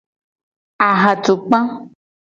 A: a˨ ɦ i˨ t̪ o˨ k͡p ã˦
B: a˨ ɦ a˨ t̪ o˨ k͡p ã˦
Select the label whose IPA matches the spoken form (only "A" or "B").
B